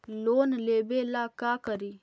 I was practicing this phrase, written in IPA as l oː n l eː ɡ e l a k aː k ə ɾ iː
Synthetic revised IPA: l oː n l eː b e l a k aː k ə ɾ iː